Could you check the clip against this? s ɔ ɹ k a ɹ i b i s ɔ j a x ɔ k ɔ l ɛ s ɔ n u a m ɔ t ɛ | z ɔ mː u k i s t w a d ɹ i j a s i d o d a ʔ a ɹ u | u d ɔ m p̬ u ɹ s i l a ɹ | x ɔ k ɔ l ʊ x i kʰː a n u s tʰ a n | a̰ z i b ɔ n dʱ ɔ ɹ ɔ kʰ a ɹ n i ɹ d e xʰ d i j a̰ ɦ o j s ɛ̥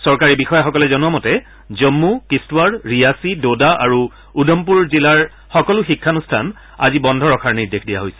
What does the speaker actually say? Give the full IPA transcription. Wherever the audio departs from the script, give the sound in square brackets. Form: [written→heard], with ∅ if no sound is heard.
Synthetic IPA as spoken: s ɔ ɹ k a ɹ i b i [s→x] ɔ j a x ɔ k ɔ l ɛ [s→z] ɔ n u a m ɔ t ɛ | z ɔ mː u k i s t w a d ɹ i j a s i d o d a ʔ a ɹ u | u d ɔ m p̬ u ɹ [s→z] i l a ɹ | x ɔ k ɔ l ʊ x i kʰː a n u s tʰ a n | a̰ z i b ɔ n dʱ ɔ ɹ ɔ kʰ a ɹ n i ɹ d e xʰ d i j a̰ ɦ o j s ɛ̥